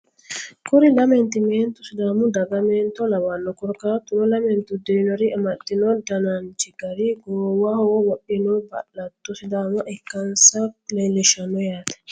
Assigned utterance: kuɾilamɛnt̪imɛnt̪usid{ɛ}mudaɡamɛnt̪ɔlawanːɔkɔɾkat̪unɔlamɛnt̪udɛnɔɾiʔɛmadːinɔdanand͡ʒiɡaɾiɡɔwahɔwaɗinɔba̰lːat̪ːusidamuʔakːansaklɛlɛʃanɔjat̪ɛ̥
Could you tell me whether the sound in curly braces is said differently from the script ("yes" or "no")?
yes